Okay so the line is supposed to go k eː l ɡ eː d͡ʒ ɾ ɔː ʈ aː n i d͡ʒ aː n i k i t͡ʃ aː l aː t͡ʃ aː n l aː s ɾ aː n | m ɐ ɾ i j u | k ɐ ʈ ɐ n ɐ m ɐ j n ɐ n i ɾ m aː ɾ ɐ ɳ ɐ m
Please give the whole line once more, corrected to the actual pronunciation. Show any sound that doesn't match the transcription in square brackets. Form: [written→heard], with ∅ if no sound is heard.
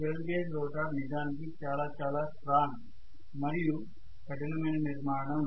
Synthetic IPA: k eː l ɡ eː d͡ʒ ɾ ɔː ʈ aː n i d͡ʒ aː n i k i t͡ʃ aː l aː t͡ʃ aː [n→∅] l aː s ɾ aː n | m ɐ ɾ i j u | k ɐ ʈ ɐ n ɐ m ɐ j n ɐ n i ɾ m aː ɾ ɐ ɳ ɐ m